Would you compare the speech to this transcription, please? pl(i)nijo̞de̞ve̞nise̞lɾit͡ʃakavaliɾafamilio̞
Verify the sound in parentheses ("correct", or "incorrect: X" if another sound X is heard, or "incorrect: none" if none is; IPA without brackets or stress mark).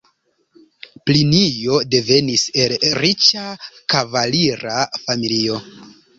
correct